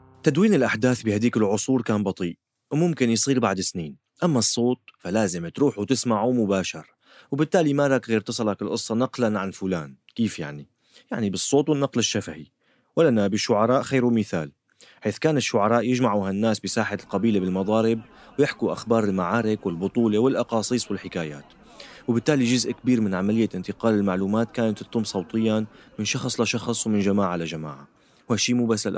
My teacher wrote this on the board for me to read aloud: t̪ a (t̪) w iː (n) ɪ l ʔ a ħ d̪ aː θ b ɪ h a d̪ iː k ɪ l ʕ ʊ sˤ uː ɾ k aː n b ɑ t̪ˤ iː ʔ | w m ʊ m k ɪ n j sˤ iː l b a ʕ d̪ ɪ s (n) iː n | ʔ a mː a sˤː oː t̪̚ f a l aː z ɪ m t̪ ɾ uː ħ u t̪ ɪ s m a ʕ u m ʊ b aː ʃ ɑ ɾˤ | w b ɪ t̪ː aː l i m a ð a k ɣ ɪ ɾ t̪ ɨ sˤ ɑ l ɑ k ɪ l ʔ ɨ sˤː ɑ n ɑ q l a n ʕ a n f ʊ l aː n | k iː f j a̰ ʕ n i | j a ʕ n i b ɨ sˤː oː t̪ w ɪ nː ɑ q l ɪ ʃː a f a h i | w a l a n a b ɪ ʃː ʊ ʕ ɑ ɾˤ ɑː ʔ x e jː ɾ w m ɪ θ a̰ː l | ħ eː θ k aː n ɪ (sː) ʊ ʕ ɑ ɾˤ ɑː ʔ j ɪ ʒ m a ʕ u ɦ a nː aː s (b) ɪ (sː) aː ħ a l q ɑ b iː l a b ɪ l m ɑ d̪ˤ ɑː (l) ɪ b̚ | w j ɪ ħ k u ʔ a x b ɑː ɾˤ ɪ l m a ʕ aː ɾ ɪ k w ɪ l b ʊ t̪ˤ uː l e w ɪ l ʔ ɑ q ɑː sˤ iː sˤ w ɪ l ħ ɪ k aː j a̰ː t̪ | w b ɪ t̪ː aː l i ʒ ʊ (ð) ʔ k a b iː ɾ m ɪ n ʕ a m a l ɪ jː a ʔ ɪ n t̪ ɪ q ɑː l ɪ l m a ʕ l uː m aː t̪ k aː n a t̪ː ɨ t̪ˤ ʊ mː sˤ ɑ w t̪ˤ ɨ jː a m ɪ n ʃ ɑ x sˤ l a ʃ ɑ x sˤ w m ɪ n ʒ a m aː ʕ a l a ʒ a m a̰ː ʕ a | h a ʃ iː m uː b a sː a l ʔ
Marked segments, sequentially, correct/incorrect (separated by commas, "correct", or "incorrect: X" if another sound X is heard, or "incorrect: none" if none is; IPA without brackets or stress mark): incorrect: d̪, correct, correct, incorrect: ʃː, correct, incorrect: s, incorrect: ɾ, incorrect: z